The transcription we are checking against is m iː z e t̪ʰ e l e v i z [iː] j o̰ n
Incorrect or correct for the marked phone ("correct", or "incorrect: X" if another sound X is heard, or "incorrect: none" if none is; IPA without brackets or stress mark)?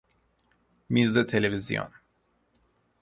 incorrect: i